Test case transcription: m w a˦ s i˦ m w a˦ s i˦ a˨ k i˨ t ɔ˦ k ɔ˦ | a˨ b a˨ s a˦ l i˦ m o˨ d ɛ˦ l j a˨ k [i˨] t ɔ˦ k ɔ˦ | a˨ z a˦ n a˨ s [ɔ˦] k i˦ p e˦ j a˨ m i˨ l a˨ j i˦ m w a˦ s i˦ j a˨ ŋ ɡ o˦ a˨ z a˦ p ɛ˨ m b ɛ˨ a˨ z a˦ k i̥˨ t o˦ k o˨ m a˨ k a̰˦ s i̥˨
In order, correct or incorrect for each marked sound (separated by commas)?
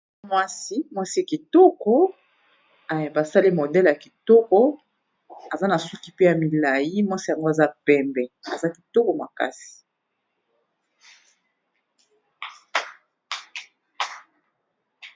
correct, incorrect